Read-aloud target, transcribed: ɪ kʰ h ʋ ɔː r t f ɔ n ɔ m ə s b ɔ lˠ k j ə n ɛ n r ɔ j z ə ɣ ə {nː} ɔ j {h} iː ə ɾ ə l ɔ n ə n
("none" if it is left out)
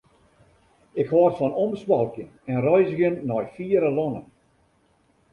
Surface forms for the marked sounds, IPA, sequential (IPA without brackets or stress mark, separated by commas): nː, f